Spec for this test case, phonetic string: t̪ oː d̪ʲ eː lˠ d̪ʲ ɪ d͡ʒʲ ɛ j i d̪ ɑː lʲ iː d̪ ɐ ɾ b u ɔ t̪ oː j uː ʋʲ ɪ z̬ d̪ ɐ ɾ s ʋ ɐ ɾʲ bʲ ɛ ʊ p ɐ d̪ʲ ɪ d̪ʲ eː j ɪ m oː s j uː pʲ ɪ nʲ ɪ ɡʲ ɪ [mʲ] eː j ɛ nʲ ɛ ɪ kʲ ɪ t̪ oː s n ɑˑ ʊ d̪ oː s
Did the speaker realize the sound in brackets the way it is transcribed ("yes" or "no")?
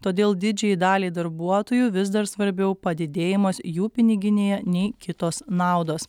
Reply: no